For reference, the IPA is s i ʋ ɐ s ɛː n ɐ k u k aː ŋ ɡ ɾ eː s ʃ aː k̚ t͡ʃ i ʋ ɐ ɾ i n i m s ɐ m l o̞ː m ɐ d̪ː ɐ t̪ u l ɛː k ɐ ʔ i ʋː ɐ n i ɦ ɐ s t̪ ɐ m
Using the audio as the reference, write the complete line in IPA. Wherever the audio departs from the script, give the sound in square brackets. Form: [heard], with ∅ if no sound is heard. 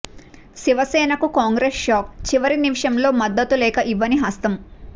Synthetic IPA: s i ʋ ɐ s ɛː n ɐ k u k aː ŋ ɡ ɾ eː s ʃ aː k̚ t͡ʃ i ʋ ɐ ɾ i n i m [ʂ] ɐ m l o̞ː m ɐ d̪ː ɐ t̪ u l ɛː k ɐ ʔ i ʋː ɐ n i ɦ ɐ s t̪ ɐ m